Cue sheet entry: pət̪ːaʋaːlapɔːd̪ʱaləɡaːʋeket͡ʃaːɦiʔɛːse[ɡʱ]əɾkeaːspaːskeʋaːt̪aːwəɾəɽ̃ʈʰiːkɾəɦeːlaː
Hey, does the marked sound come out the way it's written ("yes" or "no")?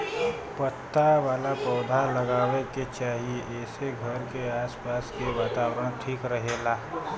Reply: yes